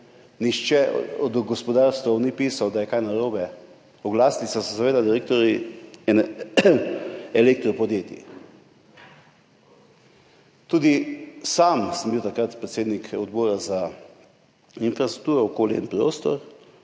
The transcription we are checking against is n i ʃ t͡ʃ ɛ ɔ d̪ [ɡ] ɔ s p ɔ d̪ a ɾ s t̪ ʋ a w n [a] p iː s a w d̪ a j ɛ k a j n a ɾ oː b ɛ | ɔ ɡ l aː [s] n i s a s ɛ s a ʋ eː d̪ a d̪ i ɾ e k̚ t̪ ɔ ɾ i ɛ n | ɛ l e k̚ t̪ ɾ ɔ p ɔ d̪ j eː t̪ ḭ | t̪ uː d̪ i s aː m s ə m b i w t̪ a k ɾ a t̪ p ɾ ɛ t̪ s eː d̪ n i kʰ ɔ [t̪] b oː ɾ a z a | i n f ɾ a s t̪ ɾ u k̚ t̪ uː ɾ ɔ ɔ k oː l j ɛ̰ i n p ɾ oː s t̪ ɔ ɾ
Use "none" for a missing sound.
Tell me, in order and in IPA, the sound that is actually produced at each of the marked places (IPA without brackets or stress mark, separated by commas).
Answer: ɡ, i, s, d̪